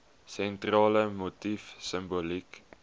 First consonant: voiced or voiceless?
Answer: voiceless